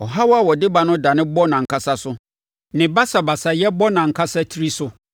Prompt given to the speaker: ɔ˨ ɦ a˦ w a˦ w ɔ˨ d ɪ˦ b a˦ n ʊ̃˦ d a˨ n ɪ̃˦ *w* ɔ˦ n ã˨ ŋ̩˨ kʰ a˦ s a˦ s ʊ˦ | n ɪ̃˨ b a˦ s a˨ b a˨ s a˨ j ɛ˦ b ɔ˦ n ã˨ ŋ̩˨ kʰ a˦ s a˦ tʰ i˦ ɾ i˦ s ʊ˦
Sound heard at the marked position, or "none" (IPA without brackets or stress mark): b